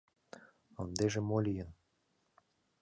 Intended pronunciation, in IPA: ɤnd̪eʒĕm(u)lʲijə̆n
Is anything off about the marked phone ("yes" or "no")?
yes